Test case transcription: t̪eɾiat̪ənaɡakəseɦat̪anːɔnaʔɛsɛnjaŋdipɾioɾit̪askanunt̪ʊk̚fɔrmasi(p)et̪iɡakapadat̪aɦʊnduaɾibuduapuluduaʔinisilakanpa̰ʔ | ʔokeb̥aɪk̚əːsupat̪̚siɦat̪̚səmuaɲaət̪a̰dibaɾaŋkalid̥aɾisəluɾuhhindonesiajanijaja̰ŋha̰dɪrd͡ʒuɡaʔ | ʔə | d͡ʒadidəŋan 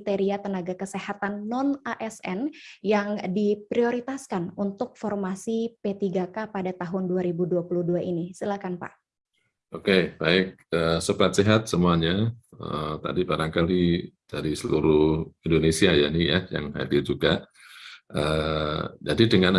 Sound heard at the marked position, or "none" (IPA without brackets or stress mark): p